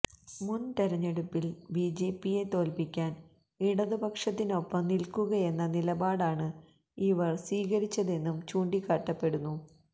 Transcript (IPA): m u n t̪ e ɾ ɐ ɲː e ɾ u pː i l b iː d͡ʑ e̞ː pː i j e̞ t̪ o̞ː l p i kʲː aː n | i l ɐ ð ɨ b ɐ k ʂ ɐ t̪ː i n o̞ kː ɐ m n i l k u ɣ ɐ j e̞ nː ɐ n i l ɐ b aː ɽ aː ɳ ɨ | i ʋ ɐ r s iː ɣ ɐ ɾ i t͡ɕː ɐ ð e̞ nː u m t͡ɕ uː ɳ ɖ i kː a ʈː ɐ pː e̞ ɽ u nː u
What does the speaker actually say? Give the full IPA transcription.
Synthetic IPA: m u n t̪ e ɾ ɐ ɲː e ɽ u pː i l b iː d͡ʑ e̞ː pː i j e̞ t̪ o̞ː l p i kʲː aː n | i ɽ ɐ ð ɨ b ɐ k ʂ ɐ t̪ː i n o̞ pː ɐ m n i l k u ɣ ɐ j e̞ nː ɐ n i l ɐ b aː ɽ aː ɳ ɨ | i ʋ ɐ r s iː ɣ ɐ ɾ i t͡ɕː ɐ ð e̞ nː u m t͡ɕ uː ɳ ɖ i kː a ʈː ɐ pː e̞ ɽ u nː u

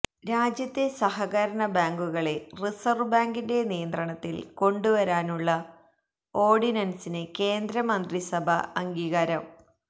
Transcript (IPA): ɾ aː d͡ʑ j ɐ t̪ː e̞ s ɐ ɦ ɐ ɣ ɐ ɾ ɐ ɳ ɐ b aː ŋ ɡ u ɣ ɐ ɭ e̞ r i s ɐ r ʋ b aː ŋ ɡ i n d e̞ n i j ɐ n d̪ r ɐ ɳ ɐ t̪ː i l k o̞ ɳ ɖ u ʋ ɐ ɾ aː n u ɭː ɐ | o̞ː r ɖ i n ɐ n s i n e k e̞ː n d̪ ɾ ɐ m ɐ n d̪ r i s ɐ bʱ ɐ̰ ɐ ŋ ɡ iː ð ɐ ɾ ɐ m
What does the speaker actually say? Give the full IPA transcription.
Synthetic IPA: ɾ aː d͡ʑ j ɐ t̪ː e̞ s ɐ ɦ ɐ ɣ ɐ ɾ ɐ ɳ ɐ b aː ŋ ɡ u ɣ ɐ ɭ e̞ r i s ɐ r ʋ b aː ŋ ɡ i n d e̞ n i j ɐ n d̪ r ɐ ɳ ɐ t̪ː i l k o̞ ɳ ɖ u ʋ ɐ ɾ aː n u ɭː ɐ | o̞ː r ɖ i n ɐ n s i n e k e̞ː n d̪ ɾ ɐ m ɐ n d̪ r i s ɐ bʱ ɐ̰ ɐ ŋ ɡ iː ɣ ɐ ɾ ɐ m

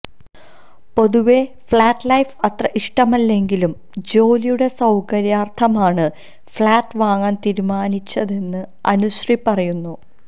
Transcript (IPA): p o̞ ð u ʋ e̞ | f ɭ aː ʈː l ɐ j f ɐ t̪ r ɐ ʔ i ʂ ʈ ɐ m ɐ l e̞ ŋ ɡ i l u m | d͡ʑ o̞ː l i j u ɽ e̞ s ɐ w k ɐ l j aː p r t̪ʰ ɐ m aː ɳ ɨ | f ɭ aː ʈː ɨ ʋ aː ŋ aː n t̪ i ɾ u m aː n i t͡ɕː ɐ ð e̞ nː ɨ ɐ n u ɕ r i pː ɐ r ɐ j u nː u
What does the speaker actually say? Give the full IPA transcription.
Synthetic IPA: p o̞ ð u ʋ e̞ | f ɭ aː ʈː l ɐ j f ɐ t̪ r ɐ ʔ i ʂ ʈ ɐ m ɐ lː e̞ ŋ ɡ i l u m | d͡ʑ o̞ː l i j u ɽ e̞ s ɐ w k ɐ ɾ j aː r t̪ʰ ɐ m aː ɳ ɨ | f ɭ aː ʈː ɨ ʋ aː ŋ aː n t̪ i ɾ u m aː n i t͡ɕː ɐ ð e̞ nː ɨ ɐ n u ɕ r i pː ɐ r ɐ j u nː u

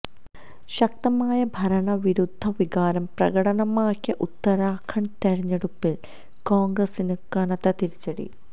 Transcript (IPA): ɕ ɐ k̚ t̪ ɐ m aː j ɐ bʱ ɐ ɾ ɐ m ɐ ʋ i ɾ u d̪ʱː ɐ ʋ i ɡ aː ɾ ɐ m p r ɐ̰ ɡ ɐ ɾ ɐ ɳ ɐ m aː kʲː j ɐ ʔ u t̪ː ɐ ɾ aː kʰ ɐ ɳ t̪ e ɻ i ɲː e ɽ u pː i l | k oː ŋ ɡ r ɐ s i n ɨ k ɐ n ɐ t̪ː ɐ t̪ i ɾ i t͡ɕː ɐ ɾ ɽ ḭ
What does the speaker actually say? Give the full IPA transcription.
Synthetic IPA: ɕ ɐ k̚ t̪ ɐ m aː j ɐ bʱ ɐ ɾ ɐ ɳ ɐ ʋ i ɾ u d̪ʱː ɐ ʋ i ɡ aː ɾ ɐ m p r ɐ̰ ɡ ɐ ɽ ɐ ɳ ɐ m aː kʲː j ɐ ʔ u t̪ː ɐ ɾ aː kʰ ɐ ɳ t̪ e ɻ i ɲː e ɽ u pː i l | k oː ŋ ɡ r ɐ s i n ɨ k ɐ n ɐ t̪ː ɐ t̪ i ɾ i t͡ɕː ɐ ɽ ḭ

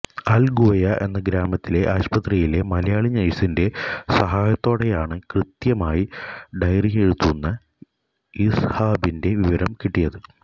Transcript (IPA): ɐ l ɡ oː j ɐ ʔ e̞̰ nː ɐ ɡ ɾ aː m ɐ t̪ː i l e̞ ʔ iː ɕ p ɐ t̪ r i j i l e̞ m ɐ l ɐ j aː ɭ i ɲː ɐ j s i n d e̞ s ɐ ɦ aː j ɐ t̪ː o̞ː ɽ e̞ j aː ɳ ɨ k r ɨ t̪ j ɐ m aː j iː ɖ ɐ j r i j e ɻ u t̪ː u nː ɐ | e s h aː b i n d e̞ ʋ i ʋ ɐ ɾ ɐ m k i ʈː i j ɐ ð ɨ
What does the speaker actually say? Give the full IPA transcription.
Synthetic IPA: ɐ l ɡ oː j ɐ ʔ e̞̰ nː ɐ ɡ ɾ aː m ɐ t̪ː i l e̞ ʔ aː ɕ p ɐ t̪ r i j i l e̞ m ɐ l ɐ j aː ɭ i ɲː ɐ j s i n d e̞ s ɐ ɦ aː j ɐ t̪ː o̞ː ɽ e̞ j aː ɳ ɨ k r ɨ t̪ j ɐ m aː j i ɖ ɐ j r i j e ɻ u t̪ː u nː ɐ | i s h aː b i n d e̞ ʋ i ʋ ɐ ɾ ɐ m k i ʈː i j ɐ ð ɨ

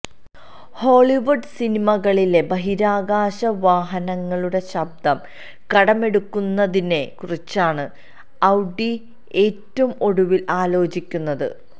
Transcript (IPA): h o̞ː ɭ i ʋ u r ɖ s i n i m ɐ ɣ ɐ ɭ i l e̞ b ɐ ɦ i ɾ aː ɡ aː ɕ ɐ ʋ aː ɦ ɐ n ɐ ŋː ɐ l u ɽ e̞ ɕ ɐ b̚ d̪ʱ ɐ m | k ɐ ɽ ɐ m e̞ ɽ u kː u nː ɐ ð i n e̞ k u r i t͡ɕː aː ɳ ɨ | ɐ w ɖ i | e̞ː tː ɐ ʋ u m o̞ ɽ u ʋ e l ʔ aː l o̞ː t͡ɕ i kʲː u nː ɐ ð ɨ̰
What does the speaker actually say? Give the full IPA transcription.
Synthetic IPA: h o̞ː ɭ i ʋ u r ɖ s i n i m ɐ ɣ ɐ ɭ i l e̞ b ɐ ɦ i ɾ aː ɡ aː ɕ ɐ ʋ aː ɦ ɐ n ɐ ŋː ɐ ɭ u ɽ e̞ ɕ ɐ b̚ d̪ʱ ɐ m | k ɐ ɽ ɐ m e̞ ɽ u kː u nː ɐ ð i n e̞ k u r i t͡ɕː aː ɳ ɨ | ɐ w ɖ i | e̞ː tː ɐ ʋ u m o̞ ɽ u ʋ i l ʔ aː l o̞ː t͡ɕ i kʲː u nː ɐ ð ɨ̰

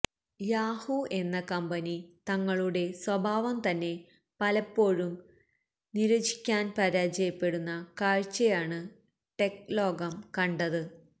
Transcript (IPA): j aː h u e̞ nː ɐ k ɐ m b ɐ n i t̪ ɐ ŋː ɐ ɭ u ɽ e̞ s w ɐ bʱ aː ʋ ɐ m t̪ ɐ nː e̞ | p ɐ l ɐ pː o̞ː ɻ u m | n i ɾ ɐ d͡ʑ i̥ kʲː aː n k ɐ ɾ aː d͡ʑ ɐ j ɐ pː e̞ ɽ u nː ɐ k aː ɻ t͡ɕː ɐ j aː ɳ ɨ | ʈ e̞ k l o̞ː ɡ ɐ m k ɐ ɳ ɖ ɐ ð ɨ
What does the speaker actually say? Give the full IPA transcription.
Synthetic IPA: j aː h u e̞ nː ɐ k ɐ m b ɐ n i t̪ ɐ ŋː ɐ ɭ u ɽ e̞ s w ɐ bʱ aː ʋ ɐ m t̪ ɐ nː e̞ | p ɐ l ɐ pː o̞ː ɻ u m | n i ɾ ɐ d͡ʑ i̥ kʲː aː n p ɐ ɾ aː d͡ʑ ɐ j ɐ pː e̞ ɽ u nː ɐ k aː ɻ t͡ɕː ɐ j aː ɳ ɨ | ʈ e̞ k l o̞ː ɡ ɐ m k ɐ ɳ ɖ ɐ ð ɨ

